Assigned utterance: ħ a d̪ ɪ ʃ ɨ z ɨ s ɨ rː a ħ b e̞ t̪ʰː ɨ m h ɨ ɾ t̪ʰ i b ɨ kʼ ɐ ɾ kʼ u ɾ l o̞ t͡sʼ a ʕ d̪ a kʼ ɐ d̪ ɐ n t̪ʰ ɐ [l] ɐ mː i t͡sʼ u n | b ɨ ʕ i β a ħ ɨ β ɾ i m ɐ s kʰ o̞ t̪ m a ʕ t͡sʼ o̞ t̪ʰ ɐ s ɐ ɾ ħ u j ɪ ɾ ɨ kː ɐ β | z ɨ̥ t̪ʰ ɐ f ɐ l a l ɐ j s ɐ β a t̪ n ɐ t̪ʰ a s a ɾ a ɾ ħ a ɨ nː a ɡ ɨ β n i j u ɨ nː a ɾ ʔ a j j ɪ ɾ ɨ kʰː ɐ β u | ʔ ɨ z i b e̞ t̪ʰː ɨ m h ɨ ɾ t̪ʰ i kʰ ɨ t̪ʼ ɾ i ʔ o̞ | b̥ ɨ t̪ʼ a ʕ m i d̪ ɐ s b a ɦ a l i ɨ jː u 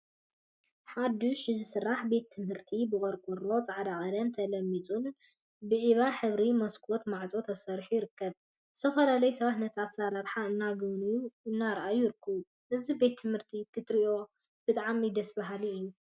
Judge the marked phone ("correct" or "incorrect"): correct